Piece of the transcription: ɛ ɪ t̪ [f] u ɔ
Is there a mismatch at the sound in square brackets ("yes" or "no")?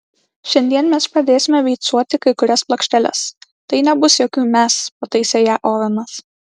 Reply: yes